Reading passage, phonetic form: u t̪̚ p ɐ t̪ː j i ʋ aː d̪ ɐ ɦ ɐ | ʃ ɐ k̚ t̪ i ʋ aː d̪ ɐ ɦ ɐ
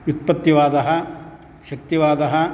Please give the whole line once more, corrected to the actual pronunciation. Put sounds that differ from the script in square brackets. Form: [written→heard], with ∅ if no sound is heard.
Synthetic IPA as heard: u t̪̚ p ɐ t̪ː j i ʋ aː d̪ ɐ ɦ ɐ | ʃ ɐ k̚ t̪ i ʋ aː d̪ ɐ ɦ ɐ